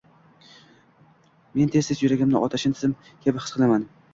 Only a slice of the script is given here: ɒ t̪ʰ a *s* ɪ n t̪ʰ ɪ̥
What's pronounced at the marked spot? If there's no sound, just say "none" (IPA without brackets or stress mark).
ʃ